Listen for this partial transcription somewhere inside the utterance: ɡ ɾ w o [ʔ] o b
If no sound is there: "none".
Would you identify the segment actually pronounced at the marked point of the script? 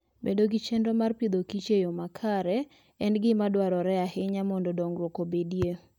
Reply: k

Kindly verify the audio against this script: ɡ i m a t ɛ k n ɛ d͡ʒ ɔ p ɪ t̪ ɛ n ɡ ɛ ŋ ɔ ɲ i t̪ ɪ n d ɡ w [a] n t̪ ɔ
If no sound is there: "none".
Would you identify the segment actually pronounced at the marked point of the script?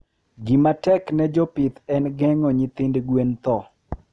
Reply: e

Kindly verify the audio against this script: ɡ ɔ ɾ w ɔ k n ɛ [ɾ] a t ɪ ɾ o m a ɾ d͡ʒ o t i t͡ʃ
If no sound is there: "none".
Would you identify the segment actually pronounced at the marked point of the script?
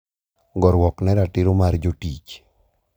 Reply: ɾ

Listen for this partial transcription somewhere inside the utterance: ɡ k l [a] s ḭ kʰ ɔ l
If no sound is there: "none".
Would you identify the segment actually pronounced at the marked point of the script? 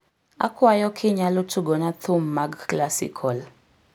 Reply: a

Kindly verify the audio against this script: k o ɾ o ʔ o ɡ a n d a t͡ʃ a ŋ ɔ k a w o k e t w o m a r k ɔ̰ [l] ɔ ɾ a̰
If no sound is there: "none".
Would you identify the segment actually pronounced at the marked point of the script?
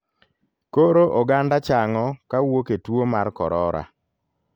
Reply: ɾ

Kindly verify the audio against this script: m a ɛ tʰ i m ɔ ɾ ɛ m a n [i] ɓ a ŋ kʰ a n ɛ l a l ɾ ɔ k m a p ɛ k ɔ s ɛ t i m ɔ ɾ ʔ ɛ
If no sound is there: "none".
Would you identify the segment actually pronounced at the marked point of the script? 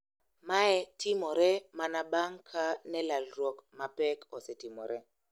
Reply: a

